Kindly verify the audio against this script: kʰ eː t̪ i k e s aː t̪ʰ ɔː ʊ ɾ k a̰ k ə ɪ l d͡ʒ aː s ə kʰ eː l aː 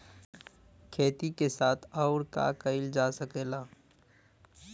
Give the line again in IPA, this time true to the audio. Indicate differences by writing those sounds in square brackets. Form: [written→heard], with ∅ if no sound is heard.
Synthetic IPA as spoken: kʰ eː t̪ i k e s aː t̪ʰ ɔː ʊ ɾ k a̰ k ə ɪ l d͡ʒ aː s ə [kʰ→k] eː l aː